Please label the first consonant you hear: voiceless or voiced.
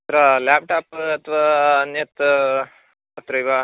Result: voiceless